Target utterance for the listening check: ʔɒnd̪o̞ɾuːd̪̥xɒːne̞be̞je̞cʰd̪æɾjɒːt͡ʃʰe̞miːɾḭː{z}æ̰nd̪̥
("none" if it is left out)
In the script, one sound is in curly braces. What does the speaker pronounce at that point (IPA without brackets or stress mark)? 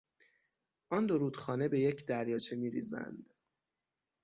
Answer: z